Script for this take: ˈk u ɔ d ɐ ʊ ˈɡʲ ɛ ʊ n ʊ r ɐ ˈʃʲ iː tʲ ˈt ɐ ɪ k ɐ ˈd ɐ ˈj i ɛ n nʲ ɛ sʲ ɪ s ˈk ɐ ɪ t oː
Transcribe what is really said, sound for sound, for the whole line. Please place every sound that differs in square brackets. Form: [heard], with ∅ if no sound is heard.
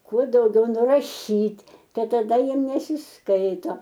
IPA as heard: ˈk u ɔ d ɐ ʊ ˈɡʲ ɛ ʊ n ʊ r ɐ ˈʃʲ iː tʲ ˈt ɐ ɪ [t] ɐ ˈd ɐ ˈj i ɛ [m] nʲ ɛ sʲ ɪ s ˈk ɐ ɪ t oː